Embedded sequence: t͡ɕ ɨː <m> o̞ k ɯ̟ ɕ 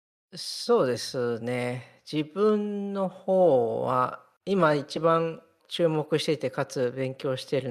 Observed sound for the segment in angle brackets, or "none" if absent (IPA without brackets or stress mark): m